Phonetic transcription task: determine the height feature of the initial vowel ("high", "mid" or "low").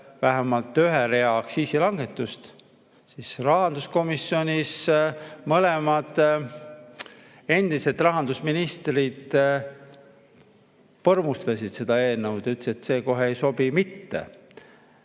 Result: low